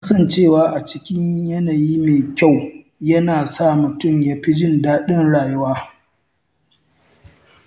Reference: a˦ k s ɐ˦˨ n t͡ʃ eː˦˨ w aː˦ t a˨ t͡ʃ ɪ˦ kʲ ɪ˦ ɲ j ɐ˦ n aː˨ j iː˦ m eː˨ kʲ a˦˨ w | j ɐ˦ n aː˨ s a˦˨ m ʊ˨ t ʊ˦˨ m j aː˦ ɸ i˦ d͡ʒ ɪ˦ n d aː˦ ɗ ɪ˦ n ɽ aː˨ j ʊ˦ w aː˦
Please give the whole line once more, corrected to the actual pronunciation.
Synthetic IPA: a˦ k s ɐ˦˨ n t͡ʃ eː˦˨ w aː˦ ʔ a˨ t͡ʃ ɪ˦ kʲ ɪ˦ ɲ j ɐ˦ n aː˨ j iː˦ m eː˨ kʲ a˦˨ w | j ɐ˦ n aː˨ s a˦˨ m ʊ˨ t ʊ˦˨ m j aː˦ ɸ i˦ d͡ʒ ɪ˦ n d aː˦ ɗ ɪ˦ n ɽ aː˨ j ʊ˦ w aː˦